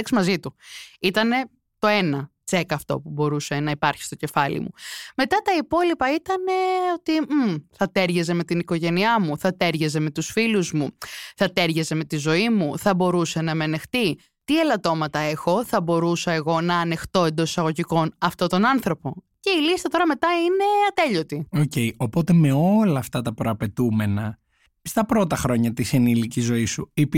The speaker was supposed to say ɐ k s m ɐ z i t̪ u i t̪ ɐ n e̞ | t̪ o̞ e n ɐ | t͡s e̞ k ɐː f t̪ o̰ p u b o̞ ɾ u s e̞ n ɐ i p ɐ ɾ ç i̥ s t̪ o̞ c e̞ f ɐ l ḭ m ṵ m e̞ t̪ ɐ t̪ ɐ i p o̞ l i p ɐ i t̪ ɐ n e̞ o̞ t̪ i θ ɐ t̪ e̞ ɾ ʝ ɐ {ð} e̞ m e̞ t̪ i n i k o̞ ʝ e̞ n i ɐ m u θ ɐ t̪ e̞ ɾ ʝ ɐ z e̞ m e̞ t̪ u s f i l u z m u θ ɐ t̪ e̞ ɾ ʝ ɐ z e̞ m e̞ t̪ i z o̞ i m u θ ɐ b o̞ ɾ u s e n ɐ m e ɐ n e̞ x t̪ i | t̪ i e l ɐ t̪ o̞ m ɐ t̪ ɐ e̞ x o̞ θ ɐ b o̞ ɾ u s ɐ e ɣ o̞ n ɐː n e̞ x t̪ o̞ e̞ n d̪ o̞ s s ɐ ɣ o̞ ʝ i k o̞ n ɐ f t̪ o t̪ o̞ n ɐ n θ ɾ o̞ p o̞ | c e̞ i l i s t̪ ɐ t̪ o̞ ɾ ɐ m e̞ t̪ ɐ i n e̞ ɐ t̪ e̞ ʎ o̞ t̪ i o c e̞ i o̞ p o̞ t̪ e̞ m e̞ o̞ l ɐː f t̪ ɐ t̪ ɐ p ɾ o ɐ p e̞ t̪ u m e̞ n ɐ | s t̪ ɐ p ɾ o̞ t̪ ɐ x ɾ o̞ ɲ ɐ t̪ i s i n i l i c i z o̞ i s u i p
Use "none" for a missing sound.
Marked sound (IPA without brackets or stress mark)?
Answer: z